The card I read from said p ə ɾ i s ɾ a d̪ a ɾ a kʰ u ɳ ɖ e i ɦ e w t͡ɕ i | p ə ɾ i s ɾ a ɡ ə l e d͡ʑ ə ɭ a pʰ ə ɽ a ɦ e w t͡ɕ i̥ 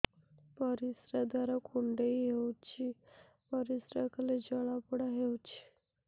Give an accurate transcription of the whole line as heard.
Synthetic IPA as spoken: p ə ɾ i s ɾ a d̪ a ɾ a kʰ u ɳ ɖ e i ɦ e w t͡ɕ i | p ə ɾ i s ɾ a k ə l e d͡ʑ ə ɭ a p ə ɽ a ɦ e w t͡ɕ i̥